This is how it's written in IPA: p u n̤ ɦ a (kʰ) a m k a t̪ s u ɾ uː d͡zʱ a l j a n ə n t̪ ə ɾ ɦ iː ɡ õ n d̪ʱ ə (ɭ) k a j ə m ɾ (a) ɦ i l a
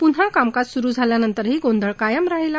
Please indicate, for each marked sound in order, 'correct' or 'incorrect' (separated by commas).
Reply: incorrect, correct, correct